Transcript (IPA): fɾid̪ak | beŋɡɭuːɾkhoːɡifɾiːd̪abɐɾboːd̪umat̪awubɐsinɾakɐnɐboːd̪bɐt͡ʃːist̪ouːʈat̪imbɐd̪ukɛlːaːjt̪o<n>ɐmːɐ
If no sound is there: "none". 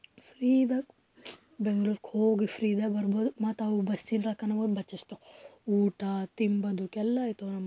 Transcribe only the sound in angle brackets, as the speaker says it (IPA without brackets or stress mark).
n